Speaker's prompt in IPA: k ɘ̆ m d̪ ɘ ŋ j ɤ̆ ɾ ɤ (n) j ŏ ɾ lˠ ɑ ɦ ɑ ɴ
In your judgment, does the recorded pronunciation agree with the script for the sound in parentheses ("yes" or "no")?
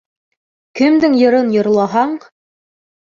yes